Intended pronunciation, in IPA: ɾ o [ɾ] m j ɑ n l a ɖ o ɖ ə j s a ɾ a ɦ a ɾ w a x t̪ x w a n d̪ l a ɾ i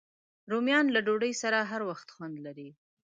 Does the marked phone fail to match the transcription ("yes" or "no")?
yes